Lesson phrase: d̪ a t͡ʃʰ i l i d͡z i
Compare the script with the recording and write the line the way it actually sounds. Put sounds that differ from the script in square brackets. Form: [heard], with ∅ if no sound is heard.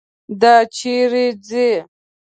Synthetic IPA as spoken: d̪ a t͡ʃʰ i [ɾ] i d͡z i